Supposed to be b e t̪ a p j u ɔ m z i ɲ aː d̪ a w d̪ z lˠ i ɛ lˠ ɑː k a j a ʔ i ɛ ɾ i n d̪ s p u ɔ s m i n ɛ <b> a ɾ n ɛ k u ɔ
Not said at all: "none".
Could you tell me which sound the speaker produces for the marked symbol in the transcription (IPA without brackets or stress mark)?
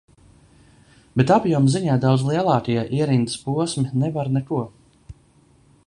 v